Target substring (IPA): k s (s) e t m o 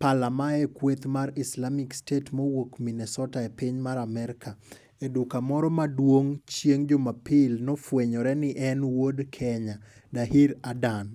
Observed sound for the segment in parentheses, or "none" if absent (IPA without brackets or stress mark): t